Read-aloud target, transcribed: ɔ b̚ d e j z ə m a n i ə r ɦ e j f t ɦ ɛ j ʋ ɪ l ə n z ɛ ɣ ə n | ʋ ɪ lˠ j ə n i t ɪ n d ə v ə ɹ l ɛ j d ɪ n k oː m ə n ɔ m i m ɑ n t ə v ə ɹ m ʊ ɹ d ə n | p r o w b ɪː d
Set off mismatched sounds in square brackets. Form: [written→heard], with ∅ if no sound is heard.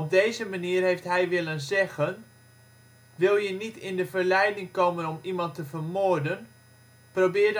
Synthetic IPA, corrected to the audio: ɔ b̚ d e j z ə m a n i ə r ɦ e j f t ɦ ɛ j ʋ ɪ l ə n z ɛ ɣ ə n | ʋ ɪ lˠ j ə n i t ɪ n d ə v ə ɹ l ɛ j d ɪ [n→ŋ] k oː m ə n ɔ m i m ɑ n t ə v ə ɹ m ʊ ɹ d ə n | p r o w b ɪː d